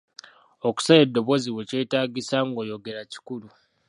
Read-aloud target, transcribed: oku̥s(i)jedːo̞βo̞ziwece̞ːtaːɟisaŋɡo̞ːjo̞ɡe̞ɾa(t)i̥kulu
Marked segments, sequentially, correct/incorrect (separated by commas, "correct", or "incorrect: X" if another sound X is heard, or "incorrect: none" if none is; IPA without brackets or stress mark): incorrect: a, incorrect: c